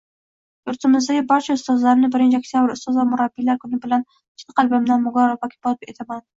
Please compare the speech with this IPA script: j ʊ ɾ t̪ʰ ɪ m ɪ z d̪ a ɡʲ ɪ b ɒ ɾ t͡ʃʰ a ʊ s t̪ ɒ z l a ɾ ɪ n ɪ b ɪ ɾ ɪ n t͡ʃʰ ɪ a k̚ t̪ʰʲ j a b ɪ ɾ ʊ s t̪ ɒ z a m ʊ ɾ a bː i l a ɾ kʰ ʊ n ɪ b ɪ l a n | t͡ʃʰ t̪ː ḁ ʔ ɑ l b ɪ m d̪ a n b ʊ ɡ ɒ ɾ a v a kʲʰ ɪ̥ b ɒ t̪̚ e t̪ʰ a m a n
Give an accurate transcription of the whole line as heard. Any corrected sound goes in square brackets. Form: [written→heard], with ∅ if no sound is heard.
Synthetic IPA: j ʊ ɾ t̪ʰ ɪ m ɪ z d̪ a ɡʲ ɪ b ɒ ɾ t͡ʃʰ a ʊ s t̪ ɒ z l a ɾ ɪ n ɪ b ɪ ɾ ɪ n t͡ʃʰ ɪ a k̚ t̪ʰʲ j a b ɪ ɾ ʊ s t̪ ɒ z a m ʊ ɾ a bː i l a ɾ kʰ ʊ n ɪ b ɪ l a n | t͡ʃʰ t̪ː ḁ [ʔ→q] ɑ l b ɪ m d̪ a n [b→m] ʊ ɡ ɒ ɾ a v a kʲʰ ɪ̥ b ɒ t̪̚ e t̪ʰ a m a n